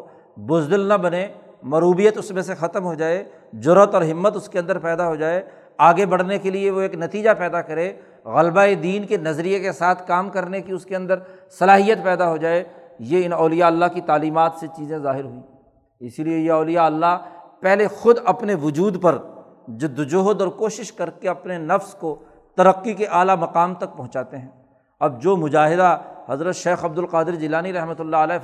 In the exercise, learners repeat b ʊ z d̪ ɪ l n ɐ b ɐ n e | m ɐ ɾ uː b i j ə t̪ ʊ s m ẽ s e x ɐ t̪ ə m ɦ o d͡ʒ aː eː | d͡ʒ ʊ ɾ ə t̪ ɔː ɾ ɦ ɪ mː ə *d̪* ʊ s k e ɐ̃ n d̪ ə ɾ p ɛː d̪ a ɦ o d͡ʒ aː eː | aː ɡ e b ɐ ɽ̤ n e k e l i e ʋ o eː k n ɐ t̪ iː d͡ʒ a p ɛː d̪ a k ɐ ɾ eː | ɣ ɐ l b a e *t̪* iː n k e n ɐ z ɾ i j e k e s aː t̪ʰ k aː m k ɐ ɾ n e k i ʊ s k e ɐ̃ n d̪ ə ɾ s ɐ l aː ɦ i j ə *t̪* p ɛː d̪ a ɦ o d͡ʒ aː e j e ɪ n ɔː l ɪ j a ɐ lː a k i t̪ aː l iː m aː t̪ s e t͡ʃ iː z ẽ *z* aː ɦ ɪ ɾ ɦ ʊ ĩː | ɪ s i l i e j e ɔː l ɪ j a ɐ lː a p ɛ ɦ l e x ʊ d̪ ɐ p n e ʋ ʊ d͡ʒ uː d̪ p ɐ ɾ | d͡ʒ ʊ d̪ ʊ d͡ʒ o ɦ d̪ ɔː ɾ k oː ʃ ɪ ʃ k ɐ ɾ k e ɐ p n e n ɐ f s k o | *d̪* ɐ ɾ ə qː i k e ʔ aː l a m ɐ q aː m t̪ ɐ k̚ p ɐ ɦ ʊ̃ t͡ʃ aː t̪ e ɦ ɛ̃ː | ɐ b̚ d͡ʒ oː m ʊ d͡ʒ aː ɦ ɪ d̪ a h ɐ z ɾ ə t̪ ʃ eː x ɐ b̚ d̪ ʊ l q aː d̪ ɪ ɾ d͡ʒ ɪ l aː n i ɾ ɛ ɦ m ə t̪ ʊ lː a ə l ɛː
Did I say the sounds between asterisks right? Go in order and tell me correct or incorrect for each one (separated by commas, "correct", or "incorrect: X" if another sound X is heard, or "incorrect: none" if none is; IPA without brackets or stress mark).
incorrect: t̪, incorrect: d̪, correct, correct, incorrect: t̪